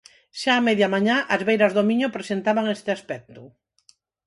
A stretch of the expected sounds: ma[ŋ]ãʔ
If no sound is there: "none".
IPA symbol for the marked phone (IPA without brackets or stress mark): ɲ